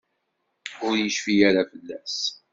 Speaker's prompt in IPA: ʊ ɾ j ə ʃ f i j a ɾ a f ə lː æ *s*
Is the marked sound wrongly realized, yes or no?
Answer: no